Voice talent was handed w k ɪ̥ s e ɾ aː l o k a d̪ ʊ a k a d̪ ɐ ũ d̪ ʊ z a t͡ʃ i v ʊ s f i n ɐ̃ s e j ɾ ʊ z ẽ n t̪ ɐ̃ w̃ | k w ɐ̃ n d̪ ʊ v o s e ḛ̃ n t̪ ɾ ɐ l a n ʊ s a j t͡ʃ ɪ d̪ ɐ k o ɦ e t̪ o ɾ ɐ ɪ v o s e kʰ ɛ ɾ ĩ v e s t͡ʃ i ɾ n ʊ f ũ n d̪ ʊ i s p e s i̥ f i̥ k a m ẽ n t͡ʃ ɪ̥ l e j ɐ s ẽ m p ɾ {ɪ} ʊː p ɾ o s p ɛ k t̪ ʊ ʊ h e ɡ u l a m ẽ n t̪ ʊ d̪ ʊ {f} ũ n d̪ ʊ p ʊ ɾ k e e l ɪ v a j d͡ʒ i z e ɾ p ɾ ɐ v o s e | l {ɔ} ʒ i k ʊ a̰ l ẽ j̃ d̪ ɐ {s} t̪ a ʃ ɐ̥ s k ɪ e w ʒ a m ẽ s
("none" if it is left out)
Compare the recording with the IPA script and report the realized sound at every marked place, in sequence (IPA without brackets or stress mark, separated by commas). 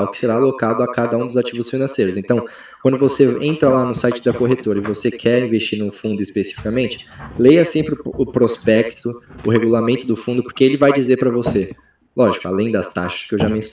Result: ɪ, f, ɔ, s